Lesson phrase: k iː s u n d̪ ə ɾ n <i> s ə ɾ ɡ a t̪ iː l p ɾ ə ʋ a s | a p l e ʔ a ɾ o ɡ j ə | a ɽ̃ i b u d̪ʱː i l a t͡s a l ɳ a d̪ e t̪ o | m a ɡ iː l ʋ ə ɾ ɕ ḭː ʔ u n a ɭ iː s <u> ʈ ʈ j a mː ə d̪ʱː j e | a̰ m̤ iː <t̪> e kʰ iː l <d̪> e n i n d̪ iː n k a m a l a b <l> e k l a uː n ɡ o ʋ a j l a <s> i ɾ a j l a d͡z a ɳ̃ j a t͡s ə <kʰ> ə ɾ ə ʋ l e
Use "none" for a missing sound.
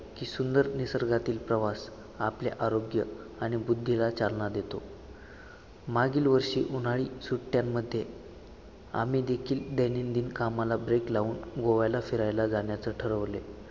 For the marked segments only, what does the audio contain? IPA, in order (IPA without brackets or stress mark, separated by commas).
i, u, d̪, d̪, ɾ, f, ʈʰ